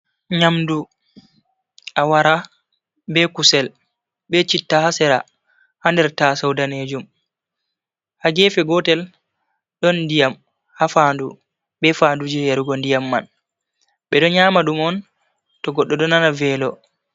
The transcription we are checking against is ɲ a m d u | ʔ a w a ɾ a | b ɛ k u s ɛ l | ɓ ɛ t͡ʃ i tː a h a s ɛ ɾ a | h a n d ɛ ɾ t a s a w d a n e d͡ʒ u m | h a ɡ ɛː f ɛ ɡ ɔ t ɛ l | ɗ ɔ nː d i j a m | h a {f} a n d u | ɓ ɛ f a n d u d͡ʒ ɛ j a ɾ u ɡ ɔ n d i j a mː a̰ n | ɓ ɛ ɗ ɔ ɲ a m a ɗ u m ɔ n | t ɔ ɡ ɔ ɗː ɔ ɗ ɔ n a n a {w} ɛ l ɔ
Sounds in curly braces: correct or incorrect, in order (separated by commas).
correct, incorrect